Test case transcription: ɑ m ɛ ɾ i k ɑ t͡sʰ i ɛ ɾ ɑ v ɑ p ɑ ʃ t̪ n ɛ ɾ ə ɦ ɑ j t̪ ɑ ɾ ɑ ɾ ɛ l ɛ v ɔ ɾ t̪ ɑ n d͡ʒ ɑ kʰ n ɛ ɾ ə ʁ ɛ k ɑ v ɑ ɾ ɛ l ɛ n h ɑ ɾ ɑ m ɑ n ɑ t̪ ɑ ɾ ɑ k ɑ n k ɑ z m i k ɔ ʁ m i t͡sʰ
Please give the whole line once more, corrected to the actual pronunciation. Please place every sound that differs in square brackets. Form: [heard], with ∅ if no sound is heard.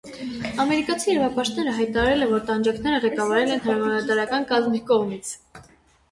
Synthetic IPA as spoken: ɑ m ɛ ɾ i k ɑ t͡sʰ i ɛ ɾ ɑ v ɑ p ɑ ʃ t̪ n ɛ ɾ ə ɦ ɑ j t̪ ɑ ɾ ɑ ɾ ɛ l ɛ v ɔ ɾ t̪ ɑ n d͡ʒ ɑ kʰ n ɛ ɾ ə ʁ ɛ k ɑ v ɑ ɾ ɛ l ɛ n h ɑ ɾ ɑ m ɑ n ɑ t̪ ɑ ɾ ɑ k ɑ n k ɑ z m i k ɔ ʁ m i t͡sʰ

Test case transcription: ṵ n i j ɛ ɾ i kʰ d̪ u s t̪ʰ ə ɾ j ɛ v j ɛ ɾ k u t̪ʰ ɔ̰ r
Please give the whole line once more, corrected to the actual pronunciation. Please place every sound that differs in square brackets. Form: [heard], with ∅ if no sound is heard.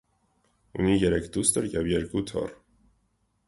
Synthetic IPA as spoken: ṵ n i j ɛ ɾ [ɛ] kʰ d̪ u s [t̪] ə ɾ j ɛ v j ɛ ɾ k u t̪ʰ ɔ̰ r

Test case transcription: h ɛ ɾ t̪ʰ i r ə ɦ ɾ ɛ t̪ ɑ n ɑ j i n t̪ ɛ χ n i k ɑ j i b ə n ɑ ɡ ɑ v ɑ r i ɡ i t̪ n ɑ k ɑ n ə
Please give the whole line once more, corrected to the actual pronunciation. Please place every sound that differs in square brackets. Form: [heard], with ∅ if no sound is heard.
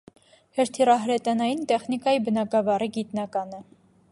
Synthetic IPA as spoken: h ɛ ɾ t̪ʰ i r [ɑ] ɦ ɾ ɛ t̪ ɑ n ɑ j i n t̪ ɛ χ n i k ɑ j i b ə n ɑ ɡ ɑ v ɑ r i ɡ i t̪ n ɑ k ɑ n ə

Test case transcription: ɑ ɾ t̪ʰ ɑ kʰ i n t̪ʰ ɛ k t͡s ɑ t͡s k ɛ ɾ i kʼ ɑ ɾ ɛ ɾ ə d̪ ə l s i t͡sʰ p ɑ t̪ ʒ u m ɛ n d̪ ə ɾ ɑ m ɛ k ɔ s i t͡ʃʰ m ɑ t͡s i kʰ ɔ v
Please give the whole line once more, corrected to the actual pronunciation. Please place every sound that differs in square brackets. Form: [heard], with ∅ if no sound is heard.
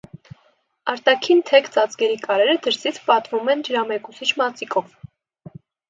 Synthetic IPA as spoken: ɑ ɾ [t̪] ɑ kʰ i n t̪ʰ ɛ k t͡s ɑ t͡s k ɛ ɾ i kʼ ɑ ɾ ɛ ɾ ə d̪ ə [ɾ] s i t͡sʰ p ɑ t̪ [v] u m ɛ n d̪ ə ɾ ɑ m ɛ k [u] s i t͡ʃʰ m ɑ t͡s i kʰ ɔ v

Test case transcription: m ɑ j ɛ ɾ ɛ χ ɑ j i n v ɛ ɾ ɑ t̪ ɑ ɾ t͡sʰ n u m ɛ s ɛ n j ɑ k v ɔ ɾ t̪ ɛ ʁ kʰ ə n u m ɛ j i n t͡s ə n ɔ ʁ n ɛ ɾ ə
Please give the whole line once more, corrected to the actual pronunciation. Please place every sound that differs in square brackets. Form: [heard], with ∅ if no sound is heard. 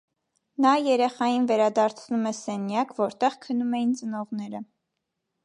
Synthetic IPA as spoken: [n] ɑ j ɛ ɾ ɛ χ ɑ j i n v ɛ ɾ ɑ [d̪] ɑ ɾ t͡sʰ n u m ɛ s ɛ n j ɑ k v ɔ ɾ t̪ ɛ ʁ kʰ ə n u m ɛ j i n t͡s ə n ɔ ʁ n ɛ ɾ ə

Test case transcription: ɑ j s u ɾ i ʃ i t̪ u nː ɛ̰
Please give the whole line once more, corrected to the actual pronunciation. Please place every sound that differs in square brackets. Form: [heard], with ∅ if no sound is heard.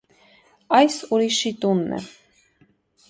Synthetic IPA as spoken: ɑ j s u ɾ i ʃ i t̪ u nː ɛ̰

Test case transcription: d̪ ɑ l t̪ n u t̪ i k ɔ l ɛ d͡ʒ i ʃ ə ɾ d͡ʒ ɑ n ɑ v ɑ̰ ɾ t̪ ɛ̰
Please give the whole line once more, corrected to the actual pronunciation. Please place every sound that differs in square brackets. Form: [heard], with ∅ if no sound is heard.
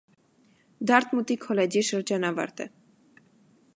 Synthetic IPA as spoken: d̪ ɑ [ɾ] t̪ [m] u t̪ i [kʰ] ɔ l ɛ d͡ʒ i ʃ ə ɾ d͡ʒ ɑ n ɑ v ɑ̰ ɾ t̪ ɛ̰

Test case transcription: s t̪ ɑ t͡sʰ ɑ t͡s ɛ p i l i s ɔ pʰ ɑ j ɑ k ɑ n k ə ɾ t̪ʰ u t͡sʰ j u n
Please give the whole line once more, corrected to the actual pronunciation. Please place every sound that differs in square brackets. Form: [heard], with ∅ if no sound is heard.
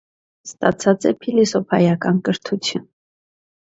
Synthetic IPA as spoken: s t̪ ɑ t͡sʰ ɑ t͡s ɛ [pʰ] i l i s ɔ pʰ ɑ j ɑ k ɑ n k ə ɾ t̪ʰ u t͡sʰ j u n

